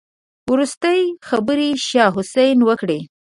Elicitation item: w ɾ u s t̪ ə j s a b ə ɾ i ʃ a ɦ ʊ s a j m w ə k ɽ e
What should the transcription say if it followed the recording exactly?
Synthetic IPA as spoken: w ɾ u s t̪ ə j x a b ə ɾ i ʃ ɑ ɦ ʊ s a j n w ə k ɽ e